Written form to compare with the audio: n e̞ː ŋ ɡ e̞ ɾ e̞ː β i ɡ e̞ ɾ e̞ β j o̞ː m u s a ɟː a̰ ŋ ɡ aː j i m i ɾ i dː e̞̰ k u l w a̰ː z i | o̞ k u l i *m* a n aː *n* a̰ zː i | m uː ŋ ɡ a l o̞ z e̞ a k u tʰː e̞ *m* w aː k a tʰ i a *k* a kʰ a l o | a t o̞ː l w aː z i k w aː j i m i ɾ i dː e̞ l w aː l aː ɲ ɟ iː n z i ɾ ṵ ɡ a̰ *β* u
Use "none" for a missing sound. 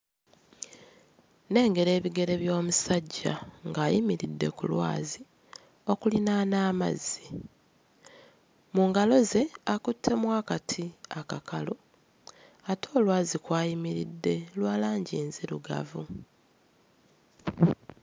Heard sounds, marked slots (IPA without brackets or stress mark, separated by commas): n, m, m, k, v